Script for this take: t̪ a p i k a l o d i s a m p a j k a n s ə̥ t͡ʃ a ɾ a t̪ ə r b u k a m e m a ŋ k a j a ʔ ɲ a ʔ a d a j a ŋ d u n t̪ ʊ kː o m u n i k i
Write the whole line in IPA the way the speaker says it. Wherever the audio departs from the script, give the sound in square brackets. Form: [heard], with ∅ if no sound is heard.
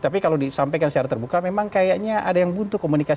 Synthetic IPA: t̪ a p i k a l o d i s a m p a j k a n s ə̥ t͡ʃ a ɾ a t̪ ə r b u k a m e m a ŋ k a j a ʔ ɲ a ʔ a d a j a ŋ [b] u n t̪ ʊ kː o m u n i k [a]